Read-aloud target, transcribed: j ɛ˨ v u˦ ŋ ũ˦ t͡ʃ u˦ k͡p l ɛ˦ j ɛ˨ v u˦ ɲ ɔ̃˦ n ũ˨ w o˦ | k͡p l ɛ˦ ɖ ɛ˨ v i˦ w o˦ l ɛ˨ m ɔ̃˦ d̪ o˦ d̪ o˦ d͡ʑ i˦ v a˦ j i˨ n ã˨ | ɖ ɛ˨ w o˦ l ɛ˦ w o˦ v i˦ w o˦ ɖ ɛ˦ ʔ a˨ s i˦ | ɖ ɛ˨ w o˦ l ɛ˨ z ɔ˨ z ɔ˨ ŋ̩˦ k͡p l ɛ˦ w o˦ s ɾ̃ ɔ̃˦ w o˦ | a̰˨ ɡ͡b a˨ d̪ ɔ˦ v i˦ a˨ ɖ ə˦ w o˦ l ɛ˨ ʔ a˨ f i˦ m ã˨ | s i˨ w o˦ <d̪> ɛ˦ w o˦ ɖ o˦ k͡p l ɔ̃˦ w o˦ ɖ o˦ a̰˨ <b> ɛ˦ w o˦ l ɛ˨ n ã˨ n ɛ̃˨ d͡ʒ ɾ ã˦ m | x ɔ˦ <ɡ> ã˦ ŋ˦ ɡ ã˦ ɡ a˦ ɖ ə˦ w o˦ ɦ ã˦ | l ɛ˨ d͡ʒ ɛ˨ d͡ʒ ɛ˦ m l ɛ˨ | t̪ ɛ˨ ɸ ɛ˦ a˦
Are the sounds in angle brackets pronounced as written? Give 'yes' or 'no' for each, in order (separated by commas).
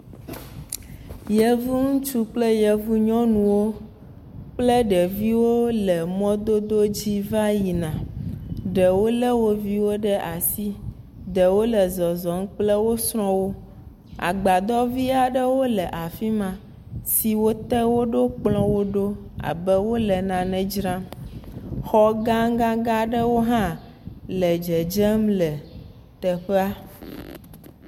no, yes, yes